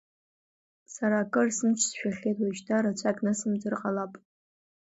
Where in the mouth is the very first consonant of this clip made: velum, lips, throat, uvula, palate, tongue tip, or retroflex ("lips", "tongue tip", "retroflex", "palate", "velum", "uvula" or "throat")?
tongue tip